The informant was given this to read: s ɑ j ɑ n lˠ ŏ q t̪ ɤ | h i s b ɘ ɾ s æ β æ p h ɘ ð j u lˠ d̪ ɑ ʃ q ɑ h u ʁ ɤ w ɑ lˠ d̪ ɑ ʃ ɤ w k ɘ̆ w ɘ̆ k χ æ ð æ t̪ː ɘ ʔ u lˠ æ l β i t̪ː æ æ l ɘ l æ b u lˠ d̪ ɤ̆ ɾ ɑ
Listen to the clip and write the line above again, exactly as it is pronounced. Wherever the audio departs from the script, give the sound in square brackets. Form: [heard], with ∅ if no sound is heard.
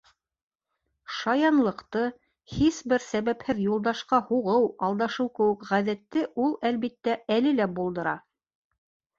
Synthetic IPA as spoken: [ʃ] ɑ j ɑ n lˠ [ɤ̆] q t̪ ɤ | h i s b ɘ ɾ s æ β æ p h ɘ ð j u lˠ d̪ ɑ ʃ q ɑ h u ʁ ɤ w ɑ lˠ d̪ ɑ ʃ ɤ w k ɘ̆ w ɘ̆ k [ʁ] æ ð æ t̪ː ɘ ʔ u lˠ æ l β i t̪ː æ æ l ɘ l æ b u lˠ d̪ ɤ̆ ɾ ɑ